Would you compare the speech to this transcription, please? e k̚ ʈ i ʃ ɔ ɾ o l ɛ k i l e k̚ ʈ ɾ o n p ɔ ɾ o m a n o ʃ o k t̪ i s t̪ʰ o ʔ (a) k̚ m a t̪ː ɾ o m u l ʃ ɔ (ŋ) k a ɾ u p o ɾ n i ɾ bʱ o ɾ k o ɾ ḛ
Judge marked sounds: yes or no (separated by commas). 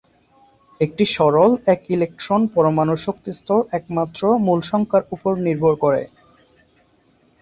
no, yes